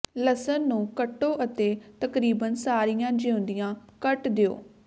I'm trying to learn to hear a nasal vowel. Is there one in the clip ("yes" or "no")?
yes